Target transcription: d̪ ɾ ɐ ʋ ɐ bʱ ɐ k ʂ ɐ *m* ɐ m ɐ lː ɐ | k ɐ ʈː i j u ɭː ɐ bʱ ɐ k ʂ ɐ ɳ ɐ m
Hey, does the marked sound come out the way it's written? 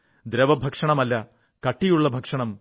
no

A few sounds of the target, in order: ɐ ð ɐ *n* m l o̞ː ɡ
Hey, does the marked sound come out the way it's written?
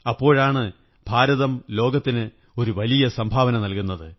no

